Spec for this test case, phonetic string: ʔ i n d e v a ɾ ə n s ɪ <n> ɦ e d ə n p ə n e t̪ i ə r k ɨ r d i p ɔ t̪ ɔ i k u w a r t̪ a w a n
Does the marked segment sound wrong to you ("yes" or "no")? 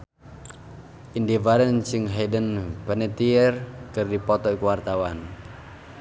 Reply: yes